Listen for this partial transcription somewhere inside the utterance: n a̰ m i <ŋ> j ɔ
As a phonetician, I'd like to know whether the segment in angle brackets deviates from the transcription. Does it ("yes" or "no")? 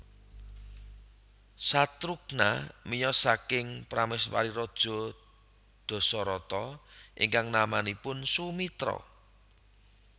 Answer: yes